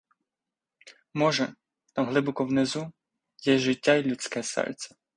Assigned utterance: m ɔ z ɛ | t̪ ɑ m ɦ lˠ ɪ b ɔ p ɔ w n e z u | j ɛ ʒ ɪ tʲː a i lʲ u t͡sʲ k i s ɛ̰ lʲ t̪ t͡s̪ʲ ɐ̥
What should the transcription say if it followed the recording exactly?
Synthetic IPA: m ɔ ʒ ɛ | t̪ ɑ m ɦ lˠ ɪ b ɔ k ɔ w n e z u | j ɛ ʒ ɪ tʲː a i lʲ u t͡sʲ k ɛ s ɛ̰ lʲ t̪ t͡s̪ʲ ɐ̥